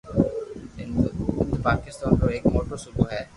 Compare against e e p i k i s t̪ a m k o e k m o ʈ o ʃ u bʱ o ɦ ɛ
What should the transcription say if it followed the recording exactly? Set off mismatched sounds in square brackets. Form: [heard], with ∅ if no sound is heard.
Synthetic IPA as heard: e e p [a] k i s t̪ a [n] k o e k m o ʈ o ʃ u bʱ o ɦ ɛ